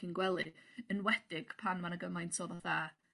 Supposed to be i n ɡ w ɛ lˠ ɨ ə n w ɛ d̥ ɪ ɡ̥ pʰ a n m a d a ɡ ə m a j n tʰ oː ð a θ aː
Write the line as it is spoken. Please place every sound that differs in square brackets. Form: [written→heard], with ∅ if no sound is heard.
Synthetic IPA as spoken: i n ɡ w ɛ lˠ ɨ ə n w ɛ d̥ ɪ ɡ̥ pʰ a n m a [d→n] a ɡ ə m a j n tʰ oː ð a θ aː